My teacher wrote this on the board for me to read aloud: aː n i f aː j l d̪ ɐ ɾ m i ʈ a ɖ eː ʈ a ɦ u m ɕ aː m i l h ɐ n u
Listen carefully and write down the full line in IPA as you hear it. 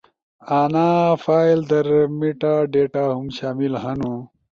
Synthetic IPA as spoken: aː n a f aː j l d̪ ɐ ɾ m i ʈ a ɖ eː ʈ a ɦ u m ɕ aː m i l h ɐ n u